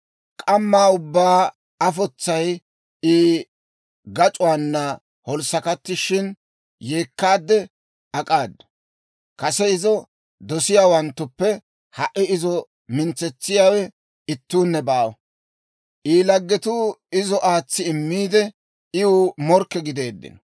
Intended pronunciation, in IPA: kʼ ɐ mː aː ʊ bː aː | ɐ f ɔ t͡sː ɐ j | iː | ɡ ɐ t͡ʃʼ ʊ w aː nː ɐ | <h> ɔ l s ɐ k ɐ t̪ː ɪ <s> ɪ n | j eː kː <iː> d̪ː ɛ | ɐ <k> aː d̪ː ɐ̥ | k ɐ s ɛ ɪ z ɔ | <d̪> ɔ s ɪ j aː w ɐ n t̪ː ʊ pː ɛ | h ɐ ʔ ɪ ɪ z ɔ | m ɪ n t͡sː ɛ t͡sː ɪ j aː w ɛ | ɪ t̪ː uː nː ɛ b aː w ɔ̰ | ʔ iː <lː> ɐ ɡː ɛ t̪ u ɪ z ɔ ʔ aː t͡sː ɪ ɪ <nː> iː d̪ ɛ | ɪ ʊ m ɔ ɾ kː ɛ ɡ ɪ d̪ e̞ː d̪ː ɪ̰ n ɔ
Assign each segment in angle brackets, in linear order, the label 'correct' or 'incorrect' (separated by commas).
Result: correct, incorrect, incorrect, incorrect, correct, incorrect, incorrect